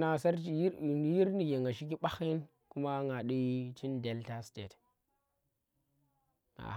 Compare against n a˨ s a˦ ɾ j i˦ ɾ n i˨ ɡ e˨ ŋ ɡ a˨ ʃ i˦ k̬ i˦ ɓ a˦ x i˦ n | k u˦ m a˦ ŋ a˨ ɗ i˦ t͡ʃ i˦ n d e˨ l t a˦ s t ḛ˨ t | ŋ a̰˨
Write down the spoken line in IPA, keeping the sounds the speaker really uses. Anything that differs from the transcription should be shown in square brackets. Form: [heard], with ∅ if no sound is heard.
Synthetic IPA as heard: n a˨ s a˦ ɾ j i˦ ɾ n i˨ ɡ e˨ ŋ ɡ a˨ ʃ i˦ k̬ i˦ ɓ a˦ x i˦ n | k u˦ m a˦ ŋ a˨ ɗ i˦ t͡ʃ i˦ n d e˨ l t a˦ s t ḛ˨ t | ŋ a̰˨